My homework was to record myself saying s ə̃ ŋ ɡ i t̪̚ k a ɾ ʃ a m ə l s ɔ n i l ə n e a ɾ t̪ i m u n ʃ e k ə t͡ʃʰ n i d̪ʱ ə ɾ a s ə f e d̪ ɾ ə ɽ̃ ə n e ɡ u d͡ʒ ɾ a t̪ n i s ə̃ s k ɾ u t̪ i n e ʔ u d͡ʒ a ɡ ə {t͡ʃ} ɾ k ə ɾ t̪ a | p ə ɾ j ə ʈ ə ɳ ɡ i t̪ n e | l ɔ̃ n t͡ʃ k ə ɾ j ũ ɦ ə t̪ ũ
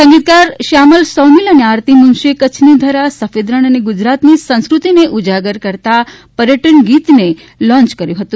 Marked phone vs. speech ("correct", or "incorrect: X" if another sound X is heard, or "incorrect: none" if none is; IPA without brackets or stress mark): incorrect: none